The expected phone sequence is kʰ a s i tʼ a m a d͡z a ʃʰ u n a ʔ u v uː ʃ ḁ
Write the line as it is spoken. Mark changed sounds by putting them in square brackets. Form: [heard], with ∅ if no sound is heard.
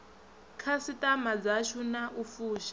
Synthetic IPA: kʰ a s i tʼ a m a d͡z a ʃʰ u n a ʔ u [f] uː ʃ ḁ